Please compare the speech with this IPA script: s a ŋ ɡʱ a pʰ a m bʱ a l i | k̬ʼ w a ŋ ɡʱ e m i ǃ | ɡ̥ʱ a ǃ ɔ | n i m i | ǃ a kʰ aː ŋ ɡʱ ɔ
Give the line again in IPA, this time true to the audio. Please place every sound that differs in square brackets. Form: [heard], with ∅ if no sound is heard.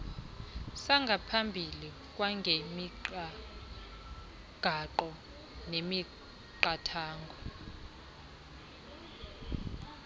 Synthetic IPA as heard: s a ŋ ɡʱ a pʰ a m bʱ [i] l i | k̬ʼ w a ŋ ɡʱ e m i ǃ | ɡ̥ʱ a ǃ ɔ | n [e] m i | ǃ a [tʰ] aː ŋ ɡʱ ɔ